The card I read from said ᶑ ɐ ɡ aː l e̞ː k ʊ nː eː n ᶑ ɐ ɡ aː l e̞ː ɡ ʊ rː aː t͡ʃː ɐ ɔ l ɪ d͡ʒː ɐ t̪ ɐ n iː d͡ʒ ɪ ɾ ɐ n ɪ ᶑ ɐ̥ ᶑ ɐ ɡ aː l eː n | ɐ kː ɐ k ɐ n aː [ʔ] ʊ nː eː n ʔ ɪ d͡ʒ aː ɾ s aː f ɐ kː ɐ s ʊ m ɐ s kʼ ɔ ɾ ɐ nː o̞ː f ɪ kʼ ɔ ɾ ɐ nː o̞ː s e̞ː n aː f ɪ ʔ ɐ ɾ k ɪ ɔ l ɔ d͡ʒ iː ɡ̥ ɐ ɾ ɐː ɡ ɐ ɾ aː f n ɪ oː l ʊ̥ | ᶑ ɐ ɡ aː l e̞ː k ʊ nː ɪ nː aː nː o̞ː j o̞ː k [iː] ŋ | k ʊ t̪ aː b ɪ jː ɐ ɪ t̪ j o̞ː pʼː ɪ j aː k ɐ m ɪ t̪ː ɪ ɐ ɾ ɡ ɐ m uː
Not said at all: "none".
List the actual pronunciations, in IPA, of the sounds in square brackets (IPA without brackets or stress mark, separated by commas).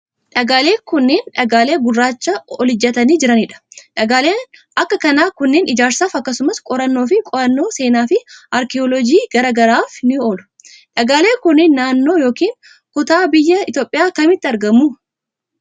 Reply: k, iː